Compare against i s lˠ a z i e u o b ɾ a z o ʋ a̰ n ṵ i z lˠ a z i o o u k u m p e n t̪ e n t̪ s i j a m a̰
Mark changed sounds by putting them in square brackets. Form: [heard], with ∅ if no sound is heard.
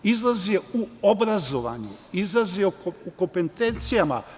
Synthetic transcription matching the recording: i [z] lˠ a z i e u o b ɾ a z o ʋ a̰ [ɲ] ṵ i z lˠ a z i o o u k [o] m p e n t̪ e n t̪ s i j a m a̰